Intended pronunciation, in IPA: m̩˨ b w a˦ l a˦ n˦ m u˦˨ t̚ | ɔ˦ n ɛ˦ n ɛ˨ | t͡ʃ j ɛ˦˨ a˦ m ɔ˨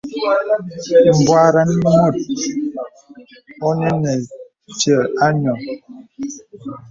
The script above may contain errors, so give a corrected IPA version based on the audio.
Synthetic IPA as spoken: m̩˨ b w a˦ ɾ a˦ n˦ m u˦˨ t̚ | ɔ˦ n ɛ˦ n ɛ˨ | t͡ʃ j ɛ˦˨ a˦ ɲ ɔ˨